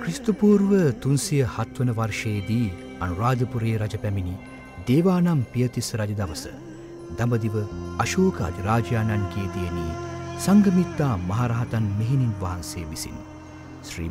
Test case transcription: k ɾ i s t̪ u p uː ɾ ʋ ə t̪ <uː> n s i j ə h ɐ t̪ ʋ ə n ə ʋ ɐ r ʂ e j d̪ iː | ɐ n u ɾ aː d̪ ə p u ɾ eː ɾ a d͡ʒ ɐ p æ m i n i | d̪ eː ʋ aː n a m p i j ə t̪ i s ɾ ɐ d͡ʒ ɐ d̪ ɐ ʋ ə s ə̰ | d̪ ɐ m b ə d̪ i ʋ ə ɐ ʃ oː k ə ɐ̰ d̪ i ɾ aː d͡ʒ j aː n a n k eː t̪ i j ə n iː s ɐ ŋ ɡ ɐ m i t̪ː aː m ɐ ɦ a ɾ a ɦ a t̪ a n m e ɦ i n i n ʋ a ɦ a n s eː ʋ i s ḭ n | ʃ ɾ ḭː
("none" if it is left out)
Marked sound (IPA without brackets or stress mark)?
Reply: u